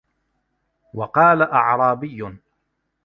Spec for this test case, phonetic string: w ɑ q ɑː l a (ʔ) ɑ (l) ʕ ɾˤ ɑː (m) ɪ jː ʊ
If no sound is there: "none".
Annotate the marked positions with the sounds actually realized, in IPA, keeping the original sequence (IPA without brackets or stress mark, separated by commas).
ʔ, none, b